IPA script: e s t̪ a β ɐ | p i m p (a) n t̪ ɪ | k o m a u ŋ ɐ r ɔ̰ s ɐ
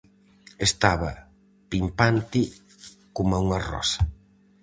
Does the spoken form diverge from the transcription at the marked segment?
no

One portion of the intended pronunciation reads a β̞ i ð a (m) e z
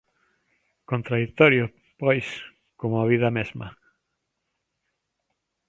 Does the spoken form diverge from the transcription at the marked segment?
no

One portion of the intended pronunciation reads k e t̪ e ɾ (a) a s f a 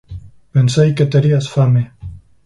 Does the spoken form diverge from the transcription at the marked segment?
yes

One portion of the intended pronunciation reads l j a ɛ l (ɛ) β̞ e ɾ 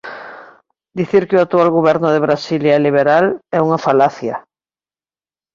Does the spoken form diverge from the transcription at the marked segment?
yes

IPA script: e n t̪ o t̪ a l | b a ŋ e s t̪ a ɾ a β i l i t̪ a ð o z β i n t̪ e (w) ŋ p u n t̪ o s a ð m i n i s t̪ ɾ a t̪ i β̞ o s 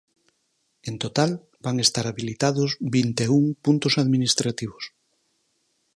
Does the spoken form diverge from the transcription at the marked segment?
yes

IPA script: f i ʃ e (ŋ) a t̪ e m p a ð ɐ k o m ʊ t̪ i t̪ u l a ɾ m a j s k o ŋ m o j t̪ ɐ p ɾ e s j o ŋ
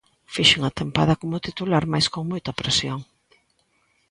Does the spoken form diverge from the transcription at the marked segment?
no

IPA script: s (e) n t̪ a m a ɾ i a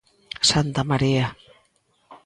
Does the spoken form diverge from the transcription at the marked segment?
yes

